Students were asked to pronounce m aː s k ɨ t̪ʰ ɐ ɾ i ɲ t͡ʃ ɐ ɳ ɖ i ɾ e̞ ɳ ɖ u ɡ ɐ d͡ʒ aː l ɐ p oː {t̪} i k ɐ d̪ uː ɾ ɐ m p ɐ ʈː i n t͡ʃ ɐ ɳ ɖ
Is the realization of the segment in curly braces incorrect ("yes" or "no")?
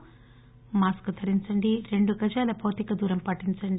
no